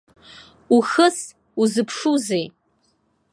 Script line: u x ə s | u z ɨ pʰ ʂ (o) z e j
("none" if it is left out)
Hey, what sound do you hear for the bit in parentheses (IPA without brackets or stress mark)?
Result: u